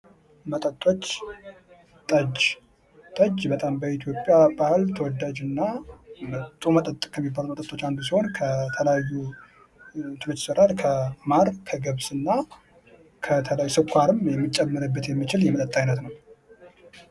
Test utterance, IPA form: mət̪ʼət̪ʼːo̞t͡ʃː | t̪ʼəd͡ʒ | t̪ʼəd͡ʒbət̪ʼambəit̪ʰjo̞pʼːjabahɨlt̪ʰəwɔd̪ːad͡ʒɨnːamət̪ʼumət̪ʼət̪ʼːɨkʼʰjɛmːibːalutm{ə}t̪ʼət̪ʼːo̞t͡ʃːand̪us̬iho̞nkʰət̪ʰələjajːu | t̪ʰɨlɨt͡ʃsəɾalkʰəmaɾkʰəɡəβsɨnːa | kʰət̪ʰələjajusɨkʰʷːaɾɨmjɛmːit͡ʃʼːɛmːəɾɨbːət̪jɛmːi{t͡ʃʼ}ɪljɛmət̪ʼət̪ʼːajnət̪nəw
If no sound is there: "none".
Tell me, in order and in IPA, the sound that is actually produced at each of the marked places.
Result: ə, t͡ʃ

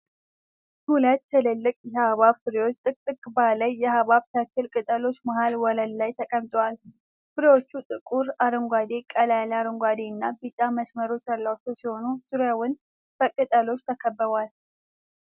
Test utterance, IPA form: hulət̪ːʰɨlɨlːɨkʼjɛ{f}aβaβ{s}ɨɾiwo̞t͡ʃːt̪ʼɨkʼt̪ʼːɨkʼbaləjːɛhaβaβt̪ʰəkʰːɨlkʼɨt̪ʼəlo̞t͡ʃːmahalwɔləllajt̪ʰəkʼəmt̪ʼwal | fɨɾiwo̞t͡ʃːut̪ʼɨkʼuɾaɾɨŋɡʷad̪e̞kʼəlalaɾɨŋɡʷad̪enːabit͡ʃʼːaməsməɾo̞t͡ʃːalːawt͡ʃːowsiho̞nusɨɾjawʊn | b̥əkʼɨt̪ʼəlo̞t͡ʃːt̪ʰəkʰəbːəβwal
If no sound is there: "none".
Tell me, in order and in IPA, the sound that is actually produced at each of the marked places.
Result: h, f

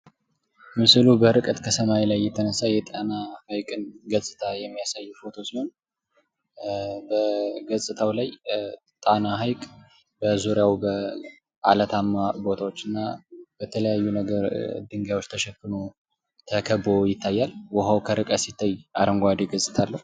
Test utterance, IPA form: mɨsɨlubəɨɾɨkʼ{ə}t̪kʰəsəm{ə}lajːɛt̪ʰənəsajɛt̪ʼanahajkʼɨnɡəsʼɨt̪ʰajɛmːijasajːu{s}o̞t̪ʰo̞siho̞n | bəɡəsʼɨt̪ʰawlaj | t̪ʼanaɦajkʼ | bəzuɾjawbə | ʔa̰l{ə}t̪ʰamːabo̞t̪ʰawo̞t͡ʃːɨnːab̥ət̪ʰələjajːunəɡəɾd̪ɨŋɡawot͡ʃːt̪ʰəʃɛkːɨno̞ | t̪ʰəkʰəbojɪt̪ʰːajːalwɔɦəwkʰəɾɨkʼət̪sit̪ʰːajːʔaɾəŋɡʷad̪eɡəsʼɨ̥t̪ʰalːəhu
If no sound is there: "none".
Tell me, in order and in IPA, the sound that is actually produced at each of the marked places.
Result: ə, a, f, ə

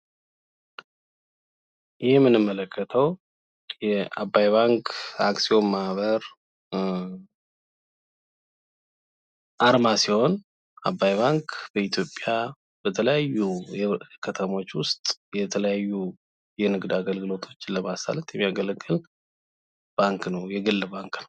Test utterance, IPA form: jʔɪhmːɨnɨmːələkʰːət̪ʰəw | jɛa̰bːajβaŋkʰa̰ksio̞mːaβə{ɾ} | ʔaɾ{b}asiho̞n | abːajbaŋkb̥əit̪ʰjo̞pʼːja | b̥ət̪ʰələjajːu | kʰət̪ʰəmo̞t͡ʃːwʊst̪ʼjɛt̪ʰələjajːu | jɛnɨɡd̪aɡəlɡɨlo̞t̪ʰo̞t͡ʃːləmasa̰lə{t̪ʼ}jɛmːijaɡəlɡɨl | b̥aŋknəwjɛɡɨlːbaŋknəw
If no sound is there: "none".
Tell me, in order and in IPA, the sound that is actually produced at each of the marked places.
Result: ɾ, m, t̪

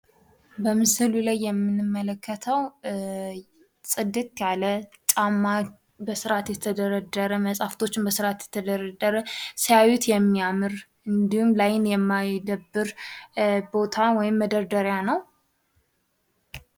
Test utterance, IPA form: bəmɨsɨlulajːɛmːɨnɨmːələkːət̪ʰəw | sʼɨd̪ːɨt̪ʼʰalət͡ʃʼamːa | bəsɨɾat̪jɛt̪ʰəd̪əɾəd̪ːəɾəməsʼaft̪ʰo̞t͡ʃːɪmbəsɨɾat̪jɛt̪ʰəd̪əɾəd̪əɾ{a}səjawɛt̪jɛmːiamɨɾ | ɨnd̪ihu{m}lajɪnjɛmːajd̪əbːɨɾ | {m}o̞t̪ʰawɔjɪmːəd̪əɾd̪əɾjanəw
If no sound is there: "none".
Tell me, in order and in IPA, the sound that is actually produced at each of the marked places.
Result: ə, m, b

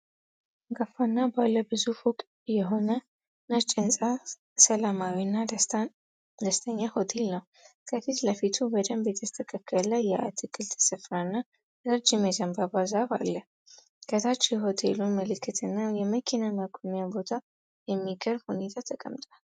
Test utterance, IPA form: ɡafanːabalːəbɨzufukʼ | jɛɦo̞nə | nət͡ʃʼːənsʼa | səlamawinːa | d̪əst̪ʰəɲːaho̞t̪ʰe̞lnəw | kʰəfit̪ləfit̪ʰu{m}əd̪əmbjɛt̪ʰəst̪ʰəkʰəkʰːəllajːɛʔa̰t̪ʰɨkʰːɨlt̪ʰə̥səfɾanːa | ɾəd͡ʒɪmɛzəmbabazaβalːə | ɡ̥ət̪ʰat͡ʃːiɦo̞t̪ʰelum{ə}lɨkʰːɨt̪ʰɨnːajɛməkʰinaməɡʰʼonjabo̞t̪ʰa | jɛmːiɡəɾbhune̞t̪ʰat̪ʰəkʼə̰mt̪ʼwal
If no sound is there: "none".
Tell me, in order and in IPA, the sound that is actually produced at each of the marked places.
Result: b, ə

